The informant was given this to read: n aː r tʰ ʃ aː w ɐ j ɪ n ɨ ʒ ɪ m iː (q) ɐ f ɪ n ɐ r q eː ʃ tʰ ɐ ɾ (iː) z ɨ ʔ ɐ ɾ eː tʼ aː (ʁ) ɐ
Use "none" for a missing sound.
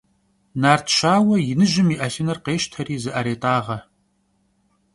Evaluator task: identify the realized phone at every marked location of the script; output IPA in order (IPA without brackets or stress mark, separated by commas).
ʔ, iː, ʁ